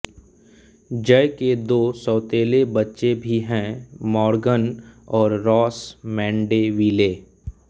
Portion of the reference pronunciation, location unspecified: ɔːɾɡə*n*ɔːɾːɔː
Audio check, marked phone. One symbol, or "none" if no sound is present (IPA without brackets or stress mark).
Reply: n